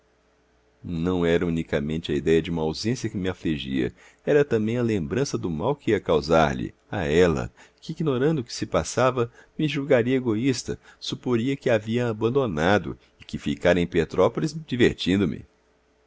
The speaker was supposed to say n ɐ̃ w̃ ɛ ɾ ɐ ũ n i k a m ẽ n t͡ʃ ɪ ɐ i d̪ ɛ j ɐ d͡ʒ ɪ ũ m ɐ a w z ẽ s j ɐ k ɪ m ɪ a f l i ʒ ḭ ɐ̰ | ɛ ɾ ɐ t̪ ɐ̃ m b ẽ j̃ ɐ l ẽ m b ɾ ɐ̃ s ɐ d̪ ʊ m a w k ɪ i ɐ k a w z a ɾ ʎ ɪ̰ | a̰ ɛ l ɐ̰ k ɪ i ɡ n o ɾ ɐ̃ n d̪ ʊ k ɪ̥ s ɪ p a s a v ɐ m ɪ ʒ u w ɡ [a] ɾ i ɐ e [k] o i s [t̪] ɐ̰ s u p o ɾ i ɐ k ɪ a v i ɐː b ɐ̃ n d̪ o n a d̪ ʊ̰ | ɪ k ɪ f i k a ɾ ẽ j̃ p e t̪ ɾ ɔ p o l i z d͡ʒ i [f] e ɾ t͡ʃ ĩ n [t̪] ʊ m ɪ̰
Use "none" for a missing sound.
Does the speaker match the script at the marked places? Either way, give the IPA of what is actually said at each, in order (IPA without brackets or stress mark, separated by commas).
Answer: a, ɡ, t̪, v, d̪